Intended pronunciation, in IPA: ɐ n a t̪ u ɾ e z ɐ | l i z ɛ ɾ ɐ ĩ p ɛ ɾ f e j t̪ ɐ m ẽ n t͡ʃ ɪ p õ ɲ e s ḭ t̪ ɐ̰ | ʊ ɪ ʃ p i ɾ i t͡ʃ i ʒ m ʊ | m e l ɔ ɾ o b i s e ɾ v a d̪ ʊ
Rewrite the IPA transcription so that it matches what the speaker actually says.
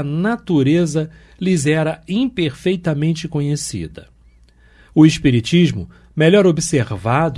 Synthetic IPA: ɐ n a t̪ u ɾ e z ɐ | l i z ɛ ɾ ɐ ĩ p e ɾ f e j t̪ ɐ m ẽ n t͡ʃ ɪ k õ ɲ e s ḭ d̪ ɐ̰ | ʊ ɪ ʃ p i ɾ i t͡ʃ i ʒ m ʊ | m e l ɔ ɾ o b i s e ɾ v a d̪ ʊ